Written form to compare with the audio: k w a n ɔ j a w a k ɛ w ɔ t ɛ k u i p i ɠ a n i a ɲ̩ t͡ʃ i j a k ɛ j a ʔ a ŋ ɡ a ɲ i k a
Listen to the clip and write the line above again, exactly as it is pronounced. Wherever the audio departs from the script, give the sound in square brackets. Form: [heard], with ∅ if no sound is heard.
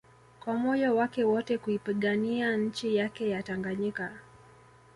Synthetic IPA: k w a [m] ɔ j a w a k ɛ w ɔ t ɛ k u i p i ɠ a n i a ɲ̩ t͡ʃ i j a k ɛ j a [t] a ŋ ɡ a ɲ i k a